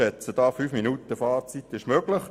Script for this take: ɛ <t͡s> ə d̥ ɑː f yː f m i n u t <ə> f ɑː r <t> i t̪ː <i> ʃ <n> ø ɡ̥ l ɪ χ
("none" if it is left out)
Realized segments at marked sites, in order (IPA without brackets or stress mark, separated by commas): t͡s, ə, t͡s, ɪ, m